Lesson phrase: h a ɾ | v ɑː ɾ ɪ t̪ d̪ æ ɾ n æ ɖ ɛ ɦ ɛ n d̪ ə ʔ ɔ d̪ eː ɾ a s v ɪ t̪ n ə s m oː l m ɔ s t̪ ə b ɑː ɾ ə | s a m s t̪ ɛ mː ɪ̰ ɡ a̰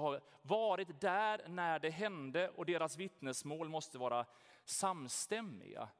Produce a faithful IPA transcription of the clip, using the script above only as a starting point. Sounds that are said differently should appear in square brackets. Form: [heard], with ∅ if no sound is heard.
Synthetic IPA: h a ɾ | v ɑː ɾ ɪ t̪ d̪ æ ɾ n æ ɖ ɛ ɦ ɛ n d̪ ə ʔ ɔ d̪ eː ɾ a s v ɪ t̪ n ə s m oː l m ɔ s t̪ ə [v] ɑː ɾ [a] | s a m s t̪ ɛ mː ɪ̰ ɡ a̰